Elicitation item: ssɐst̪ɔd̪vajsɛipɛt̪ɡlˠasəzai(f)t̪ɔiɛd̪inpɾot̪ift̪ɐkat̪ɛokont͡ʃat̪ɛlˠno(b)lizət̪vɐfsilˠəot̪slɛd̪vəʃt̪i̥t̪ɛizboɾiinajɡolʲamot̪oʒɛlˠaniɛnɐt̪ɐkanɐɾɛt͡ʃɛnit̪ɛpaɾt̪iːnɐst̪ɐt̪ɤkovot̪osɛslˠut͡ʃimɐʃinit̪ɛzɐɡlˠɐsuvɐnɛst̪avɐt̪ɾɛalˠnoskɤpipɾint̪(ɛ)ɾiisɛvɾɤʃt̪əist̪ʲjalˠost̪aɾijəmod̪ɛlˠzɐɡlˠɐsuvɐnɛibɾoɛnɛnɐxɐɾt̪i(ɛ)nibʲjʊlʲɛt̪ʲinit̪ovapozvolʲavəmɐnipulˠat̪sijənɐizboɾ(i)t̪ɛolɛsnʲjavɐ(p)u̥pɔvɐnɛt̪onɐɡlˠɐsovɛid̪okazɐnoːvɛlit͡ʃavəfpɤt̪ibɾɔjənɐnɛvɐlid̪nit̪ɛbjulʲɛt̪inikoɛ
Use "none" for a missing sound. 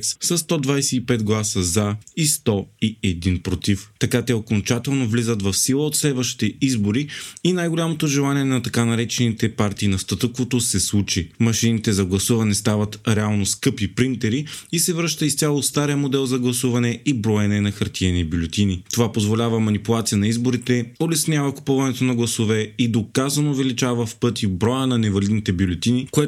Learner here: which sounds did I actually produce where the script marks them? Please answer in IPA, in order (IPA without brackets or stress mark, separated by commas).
s, v, ɛ, ɛ, i, k